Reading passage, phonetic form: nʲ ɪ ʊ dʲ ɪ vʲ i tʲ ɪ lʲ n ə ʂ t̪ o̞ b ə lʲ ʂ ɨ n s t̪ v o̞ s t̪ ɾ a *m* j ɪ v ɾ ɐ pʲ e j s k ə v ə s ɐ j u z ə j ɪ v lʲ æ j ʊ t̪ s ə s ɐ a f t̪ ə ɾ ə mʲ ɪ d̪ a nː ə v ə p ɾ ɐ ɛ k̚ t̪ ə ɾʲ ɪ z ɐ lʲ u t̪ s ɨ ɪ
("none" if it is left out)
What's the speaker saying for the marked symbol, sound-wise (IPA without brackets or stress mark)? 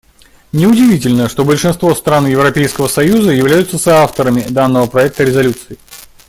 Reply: n